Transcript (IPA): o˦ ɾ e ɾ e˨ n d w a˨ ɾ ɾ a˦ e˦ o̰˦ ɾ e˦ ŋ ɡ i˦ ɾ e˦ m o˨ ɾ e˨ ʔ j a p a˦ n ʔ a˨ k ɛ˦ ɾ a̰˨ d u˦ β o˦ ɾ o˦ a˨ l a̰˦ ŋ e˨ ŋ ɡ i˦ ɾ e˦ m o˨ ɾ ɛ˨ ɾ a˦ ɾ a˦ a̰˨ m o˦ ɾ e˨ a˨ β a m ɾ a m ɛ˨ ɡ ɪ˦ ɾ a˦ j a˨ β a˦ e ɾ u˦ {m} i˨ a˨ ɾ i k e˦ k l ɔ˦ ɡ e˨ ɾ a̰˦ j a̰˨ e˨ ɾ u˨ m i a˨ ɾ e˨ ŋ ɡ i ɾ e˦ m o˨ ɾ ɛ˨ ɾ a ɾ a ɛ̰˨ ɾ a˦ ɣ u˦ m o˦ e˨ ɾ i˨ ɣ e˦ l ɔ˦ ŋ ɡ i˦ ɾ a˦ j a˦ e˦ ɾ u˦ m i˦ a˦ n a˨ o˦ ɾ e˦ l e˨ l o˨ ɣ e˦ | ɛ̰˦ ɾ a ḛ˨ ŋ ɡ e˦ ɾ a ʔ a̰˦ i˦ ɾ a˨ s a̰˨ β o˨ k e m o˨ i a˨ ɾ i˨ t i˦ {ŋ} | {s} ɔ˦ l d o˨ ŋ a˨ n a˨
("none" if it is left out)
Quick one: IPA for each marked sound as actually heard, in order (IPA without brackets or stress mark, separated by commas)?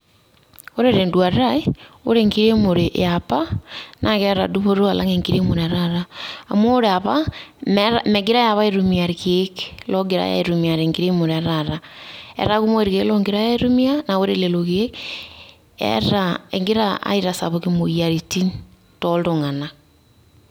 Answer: m, n, t